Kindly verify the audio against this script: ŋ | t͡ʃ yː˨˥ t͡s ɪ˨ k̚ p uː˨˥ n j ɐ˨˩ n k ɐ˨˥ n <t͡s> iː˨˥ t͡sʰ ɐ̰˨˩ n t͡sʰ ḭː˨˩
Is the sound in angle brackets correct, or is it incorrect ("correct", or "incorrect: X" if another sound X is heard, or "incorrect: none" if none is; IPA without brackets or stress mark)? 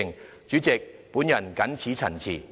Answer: incorrect: t͡sʰ